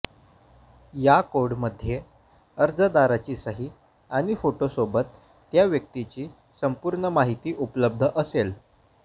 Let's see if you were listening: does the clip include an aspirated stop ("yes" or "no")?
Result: no